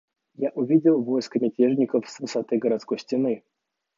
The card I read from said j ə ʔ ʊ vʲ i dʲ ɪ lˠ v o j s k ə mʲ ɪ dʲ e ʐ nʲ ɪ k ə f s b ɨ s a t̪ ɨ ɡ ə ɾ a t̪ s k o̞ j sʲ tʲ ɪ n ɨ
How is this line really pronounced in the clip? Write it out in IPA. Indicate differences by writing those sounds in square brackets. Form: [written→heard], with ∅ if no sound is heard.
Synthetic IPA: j [ə→a] ʔ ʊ vʲ i dʲ ɪ lˠ v o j s k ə mʲ ɪ [dʲ→tʲ] e ʐ nʲ ɪ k ə f s [b→v] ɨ s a t̪ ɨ ɡ ə ɾ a t̪ s k o̞ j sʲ tʲ ɪ n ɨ